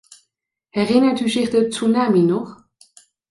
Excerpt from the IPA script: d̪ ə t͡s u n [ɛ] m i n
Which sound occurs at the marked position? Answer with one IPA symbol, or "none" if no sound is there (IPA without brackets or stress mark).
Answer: a